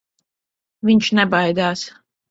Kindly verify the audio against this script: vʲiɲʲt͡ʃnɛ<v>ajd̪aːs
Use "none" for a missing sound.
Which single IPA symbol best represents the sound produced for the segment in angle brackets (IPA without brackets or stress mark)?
b